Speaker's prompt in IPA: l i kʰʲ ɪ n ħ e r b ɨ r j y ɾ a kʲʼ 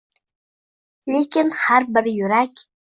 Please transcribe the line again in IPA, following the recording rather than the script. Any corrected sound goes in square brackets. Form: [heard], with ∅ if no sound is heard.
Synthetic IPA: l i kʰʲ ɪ n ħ [a] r b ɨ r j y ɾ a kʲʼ